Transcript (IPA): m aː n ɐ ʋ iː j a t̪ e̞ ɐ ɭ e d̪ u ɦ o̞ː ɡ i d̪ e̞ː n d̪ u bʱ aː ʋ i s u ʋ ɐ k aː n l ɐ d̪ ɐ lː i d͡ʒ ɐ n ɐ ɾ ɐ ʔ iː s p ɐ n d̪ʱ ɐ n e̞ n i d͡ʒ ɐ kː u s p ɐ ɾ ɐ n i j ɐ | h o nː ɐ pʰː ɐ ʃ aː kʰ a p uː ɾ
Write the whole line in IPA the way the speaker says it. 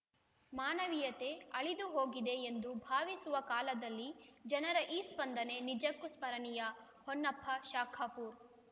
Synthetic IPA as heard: m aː n ɐ ʋ i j ɐ t̪ e̞ ɐ ɭ i d̪ u ɦ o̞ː ɡ i d̪ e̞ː n d̪ u bʱ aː ʋ i s u ʋ ɐ k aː l ɐ d̪ ɐ lː i d͡ʒ ɐ n ɐ ɾ ɐ ʔ iː s p ɐ n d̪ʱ ɐ n e̞ n i d͡ʒ ɐ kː u s p ɐ ɾ ɐ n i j ɐ | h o nː ɐ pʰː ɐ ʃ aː kʰ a p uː ɾ

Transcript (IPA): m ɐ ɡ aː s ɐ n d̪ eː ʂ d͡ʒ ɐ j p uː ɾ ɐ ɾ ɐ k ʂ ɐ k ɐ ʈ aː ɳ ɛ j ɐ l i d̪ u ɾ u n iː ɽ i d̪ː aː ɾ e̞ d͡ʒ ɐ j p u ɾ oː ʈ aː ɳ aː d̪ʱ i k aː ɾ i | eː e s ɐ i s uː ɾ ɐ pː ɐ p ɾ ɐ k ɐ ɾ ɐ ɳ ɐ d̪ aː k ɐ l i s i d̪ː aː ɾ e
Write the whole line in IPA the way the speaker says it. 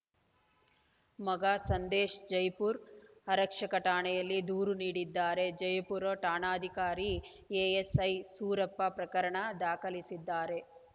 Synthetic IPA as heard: m ɐ ɡ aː s ɐ n d̪ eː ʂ d͡ʒ ɐ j p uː ɾ ɐ ɾ ɐ k ʂ ɐ k ɐ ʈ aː ɳ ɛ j ɐ lː i d̪ uː ɾ u n iː ɽ i d̪ː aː ɾ e̞ d͡ʒ ɐ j p u ɾ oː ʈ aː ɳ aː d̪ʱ i k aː ɾ i | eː e s ɐ j s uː ɾ ɐ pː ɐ p ɾ ɐ k ɐ ɾ ɐ ɳ ɐ d̪ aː k ɐ l i s i d̪ː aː ɾ e

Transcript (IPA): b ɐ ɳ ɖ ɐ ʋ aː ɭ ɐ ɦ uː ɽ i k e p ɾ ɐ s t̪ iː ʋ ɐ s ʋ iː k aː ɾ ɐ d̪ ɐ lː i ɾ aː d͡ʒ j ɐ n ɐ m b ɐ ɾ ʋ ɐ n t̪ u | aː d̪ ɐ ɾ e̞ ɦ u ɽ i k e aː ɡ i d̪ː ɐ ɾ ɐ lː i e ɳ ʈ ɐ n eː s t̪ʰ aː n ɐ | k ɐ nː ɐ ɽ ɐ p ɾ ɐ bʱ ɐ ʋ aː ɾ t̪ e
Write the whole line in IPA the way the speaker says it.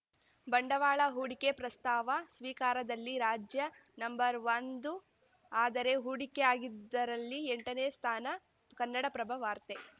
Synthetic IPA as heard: b ɐ ɳ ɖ ɐ ʋ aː ɭ ɐ ɦ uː ɽ i k e p ɾ ɐ s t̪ aː ʋ ɐ s ʋ iː k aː ɾ ɐ d̪ ɐ lː i ɾ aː d͡ʒ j ɐ n ɐ m b ɐ ɾ ʋ ɐ n d̪ u | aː d̪ ɐ ɾ e̞ ɦ u ɽ i k e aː ɡ i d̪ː ɐ ɾ ɐ lː i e ɳ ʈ ɐ n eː s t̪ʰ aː n ɐ | k ɐ nː ɐ ɽ ɐ p ɾ ɐ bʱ ɐ ʋ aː ɾ t̪ e

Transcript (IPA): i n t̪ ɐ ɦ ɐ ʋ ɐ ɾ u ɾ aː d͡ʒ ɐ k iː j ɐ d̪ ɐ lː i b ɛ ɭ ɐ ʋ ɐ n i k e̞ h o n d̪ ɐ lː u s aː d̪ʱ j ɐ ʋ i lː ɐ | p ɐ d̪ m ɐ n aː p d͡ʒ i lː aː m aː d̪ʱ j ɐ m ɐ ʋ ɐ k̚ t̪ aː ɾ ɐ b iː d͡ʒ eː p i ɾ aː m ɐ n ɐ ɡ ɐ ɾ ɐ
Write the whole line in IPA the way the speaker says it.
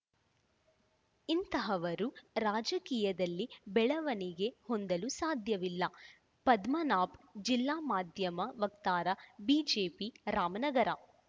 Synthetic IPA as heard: i n t̪ ɐ ɦ ɐ ʋ ɐ ɾ u ɾ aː d͡ʒ ɐ k iː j ɐ d̪ ɐ lː i b ɛ ɭ ɐ ʋ ɐ n i ɡ e̞ h o n d̪ ɐ l u s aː d̪ʱ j ɐ ʋ i lː ɐ | p ɐ d̪ m ɐ n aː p d͡ʒ i lː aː m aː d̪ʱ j ɐ m ɐ ʋ ɐ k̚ t̪ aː ɾ ɐ b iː d͡ʒ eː p i ɾ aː m ɐ n ɐ ɡ ɐ ɾ ɐ

